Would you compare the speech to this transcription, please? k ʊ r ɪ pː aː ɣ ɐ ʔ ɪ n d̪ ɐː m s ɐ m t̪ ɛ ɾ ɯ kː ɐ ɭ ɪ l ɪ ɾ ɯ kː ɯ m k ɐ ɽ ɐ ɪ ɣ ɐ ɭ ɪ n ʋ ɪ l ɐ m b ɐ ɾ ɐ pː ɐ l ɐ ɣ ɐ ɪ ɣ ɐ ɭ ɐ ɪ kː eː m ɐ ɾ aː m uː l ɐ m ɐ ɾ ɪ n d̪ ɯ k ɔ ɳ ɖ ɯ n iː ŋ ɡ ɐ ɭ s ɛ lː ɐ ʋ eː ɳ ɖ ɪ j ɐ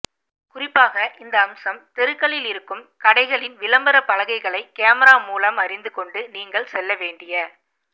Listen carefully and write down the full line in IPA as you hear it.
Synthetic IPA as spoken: k ʊ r ɪ pː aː ɣ ɐ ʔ ɪ n d̪ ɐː m s ɐ m t̪ ɛ ɾ ɯ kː ɐ ɭ ɪ l ɪ ɾ ɯ kː ɯ m k ɐ ɽ ɐ ɪ ɣ ɐ ɭ ɪ n ʋ ɪ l ɐ m b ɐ ɾ ɐ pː ɐ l ɐ ɣ ɐ ɪ ɣ ɐ ɭ ɐ ɪ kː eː m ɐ ɾ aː m uː l ɐ m ɐ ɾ ɪ n d̪ ɯ k ɔ ɳ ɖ ɯ n iː ŋ ɡ ɐ ɭ s ɛ lː ɐ ʋ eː ɳ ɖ ɪ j ɐ

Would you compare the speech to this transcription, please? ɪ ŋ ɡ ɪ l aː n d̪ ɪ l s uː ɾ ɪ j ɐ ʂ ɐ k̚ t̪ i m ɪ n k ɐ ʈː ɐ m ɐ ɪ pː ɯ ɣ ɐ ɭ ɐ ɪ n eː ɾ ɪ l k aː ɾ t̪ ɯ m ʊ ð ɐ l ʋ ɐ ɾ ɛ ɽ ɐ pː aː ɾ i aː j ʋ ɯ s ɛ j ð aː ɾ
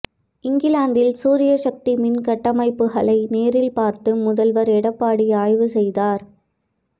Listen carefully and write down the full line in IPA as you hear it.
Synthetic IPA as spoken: ɪ ŋ ɡ ɪ l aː n d̪ ɪ l s uː ɾ ɪ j ɐ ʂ ɐ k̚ t̪ i m ɪ n k ɐ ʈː ɐ m ɐ ɪ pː ɯ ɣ ɐ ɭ ɐ ɪ n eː ɾ ɪ l p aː ɾ t̪ ɯ m ʊ ð ɐ l ʋ ɐ ɾ ɛ ɽ ɐ pː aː ɽ i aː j ʋ ɯ s ɛ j ð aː ɾ

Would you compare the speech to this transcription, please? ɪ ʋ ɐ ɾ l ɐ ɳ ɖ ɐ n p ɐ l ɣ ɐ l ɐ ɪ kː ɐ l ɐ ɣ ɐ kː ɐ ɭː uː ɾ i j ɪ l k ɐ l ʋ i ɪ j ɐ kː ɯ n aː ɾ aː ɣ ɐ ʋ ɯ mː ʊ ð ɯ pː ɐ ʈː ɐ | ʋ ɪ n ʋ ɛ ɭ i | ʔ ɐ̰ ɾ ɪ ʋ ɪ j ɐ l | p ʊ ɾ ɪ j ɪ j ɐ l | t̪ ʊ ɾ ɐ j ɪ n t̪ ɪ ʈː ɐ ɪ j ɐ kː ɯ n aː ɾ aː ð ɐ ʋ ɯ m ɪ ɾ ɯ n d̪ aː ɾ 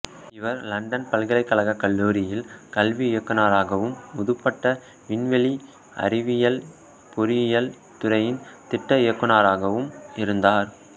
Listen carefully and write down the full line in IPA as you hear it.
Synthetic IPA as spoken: ɪ ʋ ɐ ɾ l ɐ ɳ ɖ ɐ n p ɐ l ɣ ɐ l ɐ ɪ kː ɐ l ɐ ɣ ɐ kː ɐ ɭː uː ɾ ɪ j ɪ l k ɐ l ʋ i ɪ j ɐ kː ɯ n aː ɾ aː ɣ ɐ ʋ ɯ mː ʊ ð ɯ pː ɐ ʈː ɐ | ʋ ɪ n ʋ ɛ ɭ i | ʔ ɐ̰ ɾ ɪ ʋ ɪ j ɐ l | p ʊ ɾ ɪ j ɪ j ɐ l | t̪ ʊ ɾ ɐ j ɪ n t̪ ɪ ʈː ɐ ɪ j ɐ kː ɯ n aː ɾ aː ɣ ɐ ʋ ɯ m ɪ ɾ ɯ n d̪ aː ɾ

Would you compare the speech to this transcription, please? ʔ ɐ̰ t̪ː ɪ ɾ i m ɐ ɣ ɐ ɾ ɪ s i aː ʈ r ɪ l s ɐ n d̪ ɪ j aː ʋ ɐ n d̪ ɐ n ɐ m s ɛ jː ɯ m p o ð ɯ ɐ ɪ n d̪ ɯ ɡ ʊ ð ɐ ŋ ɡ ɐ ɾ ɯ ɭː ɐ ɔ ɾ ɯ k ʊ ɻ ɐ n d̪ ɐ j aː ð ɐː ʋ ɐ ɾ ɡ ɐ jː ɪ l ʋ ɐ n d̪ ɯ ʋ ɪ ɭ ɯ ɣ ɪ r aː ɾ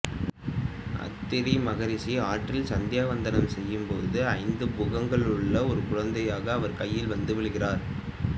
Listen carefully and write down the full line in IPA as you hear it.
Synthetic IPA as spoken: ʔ ɐ̰ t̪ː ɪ ɾ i m ɐ ɣ ɐ ɾ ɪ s i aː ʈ r ɪ l s ɐ n d̪ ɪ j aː ʋ ɐ n d̪ ɐ n ɐ m s ɛ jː ɯ m p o ð ɯ ɐ ɪ n d̪ ɯ b ʊ ɣ ɐ ŋ ɡ ɐ ɭ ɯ ɭː ɐ ɔ ɾ ɯ k ʊ ɻ ɐ n d̪ ɐ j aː ɣ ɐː ʋ ɐ ɾ k ɐ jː ɪ l ʋ ɐ n d̪ ɯ ʋ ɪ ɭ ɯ ɣ ɪ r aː ɾ

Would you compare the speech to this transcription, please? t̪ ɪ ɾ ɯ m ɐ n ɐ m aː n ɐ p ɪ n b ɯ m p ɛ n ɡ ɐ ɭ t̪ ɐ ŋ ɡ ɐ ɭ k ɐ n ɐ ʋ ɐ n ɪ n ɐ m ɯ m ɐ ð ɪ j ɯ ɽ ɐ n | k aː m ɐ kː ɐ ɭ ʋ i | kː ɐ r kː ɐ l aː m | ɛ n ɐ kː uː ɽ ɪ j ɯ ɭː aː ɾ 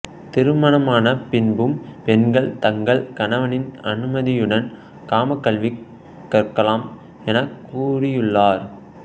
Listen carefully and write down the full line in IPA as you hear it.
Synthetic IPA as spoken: t̪ ɪ ɾ ɯ m ɐ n ɐ m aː n ɐ p ɪ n b ɯ m p ɛ n ɡ ɐ ɭ t̪ ɐ ŋ ɡ ɐ ɭ k ɐ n ɐ ʋ ɐ n ɪ n ɐ n ɯ m ɐ ð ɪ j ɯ ɽ ɐ n | k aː m ɐ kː ɐ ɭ ʋ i | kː ɐ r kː ɐ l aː m | ɛ n ɐ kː uː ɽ ɪ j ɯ ɭː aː ɾ

